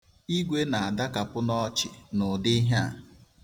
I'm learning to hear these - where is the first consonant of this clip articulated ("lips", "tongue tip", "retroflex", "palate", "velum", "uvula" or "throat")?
velum